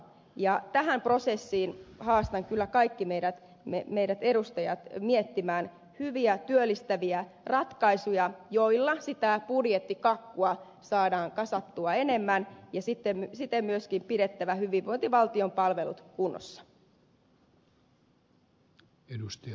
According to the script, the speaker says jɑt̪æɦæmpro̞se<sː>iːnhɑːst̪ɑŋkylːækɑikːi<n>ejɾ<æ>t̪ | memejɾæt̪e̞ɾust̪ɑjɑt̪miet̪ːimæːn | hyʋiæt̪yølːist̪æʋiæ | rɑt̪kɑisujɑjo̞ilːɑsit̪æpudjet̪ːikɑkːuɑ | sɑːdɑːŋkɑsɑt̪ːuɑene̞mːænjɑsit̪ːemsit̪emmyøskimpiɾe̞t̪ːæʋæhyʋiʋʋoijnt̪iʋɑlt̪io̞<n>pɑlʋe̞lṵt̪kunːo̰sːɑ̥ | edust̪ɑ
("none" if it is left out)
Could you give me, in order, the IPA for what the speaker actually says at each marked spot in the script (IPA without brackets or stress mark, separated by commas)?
sː, m, æ, m